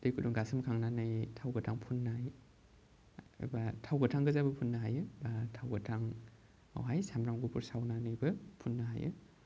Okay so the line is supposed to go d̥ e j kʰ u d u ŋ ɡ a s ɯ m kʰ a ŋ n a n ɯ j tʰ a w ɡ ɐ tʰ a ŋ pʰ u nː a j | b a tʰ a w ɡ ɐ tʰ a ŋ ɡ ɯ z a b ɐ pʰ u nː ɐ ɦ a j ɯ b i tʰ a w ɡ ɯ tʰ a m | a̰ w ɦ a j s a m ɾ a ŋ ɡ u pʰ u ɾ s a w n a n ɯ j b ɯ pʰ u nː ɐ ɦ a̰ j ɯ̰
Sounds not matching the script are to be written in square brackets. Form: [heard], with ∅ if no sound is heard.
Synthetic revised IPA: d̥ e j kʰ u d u ŋ ɡ a s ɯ m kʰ a ŋ n a n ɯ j tʰ a w ɡ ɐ tʰ a ŋ pʰ u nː a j | b a tʰ a w ɡ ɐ tʰ a ŋ ɡ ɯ z a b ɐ pʰ u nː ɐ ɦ a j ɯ b [a] tʰ a w ɡ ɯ tʰ a [ŋ] | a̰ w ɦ a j s a m ɾ a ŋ ɡ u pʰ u ɾ s a w n a n ɯ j b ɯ pʰ u nː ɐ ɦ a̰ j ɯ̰